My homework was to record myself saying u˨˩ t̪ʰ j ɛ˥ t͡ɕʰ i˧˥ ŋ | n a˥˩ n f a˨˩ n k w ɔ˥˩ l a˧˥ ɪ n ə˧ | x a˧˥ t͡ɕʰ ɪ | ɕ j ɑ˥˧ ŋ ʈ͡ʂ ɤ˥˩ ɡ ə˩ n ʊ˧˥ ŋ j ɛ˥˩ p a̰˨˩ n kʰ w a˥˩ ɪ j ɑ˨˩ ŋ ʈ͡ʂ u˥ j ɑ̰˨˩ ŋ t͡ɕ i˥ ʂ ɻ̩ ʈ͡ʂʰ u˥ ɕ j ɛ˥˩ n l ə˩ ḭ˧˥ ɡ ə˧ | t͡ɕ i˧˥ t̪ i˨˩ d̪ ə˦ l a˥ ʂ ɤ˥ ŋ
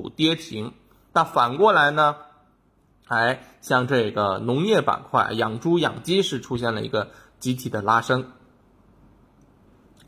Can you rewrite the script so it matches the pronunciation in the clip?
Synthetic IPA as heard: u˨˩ t̪ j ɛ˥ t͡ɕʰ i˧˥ ŋ | n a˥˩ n f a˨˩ n k w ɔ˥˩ l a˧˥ ɪ n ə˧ | x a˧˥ ɪ | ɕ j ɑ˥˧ ŋ ʈ͡ʂ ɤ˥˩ ɡ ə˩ n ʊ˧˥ ŋ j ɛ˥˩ p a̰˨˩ n kʰ w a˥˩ ɪ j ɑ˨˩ ŋ ʈ͡ʂ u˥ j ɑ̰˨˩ ŋ t͡ɕ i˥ ʂ ɻ̩ ʈ͡ʂʰ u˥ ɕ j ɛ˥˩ n l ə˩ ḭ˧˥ ɡ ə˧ | t͡ɕ i˧˥ t̪ʰ i˨˩ d̪ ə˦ l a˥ ʂ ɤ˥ ŋ